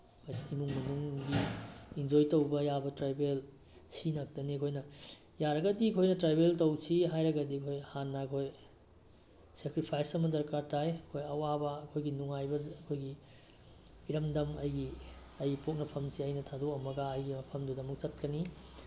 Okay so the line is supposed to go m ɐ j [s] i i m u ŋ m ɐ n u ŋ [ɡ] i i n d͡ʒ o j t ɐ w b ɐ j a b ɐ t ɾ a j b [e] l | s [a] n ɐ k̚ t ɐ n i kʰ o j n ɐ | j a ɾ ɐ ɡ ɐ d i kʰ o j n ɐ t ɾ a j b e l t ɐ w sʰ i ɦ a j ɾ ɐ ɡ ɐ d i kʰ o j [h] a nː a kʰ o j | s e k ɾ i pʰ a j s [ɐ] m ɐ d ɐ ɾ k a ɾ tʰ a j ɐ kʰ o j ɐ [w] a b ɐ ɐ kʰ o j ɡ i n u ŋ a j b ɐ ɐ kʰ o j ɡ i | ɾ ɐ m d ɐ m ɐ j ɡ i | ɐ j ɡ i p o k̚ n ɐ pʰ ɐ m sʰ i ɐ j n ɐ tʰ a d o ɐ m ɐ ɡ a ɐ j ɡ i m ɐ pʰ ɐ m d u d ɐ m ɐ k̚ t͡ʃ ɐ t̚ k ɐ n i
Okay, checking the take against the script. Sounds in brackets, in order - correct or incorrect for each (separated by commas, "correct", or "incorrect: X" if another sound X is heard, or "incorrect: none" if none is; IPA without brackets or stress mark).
correct, correct, correct, incorrect: i, correct, correct, correct